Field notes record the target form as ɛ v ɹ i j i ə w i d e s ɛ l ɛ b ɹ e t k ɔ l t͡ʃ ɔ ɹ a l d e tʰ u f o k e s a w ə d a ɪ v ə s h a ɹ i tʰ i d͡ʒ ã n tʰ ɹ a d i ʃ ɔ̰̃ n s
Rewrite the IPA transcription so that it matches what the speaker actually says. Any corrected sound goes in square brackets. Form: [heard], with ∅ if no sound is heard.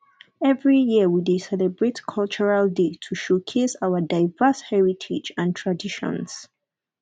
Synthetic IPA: ɛ v ɹ i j i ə w i d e s ɛ l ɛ b ɹ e t [kʰ] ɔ l t͡ʃ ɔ ɹ a l d e tʰ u [ʃ] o [kʰ] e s a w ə d a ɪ v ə s h [ɛ] ɹ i tʰ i d͡ʒ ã n tʰ ɹ a d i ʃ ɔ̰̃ n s